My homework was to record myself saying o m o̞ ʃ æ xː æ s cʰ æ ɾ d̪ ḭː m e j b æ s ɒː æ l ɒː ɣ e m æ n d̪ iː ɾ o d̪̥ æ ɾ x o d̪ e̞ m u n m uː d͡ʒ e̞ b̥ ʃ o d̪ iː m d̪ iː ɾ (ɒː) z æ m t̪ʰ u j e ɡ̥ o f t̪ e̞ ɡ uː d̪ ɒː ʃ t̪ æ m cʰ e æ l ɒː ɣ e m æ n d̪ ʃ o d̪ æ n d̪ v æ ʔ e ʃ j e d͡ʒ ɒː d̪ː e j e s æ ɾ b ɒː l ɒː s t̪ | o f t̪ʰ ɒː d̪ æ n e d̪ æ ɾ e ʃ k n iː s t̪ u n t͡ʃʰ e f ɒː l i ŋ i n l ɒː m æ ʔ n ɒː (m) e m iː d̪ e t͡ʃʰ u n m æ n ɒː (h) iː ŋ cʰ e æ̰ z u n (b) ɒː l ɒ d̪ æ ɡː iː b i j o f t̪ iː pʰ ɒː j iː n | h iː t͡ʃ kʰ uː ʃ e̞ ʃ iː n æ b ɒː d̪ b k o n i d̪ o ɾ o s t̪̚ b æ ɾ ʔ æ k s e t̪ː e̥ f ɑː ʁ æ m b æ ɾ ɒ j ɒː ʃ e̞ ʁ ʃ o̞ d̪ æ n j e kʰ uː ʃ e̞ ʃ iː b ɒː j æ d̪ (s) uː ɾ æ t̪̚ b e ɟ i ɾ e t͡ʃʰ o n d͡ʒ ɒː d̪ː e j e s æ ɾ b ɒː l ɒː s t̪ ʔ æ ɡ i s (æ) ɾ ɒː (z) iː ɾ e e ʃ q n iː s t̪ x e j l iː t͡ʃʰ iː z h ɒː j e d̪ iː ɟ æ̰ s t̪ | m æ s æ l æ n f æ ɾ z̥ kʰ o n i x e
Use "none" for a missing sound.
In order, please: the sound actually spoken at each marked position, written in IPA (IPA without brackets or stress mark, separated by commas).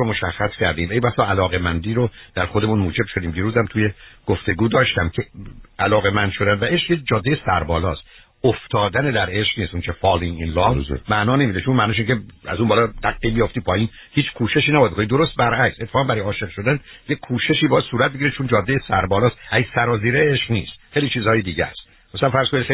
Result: uː, n, ʃ, b, s, æ, z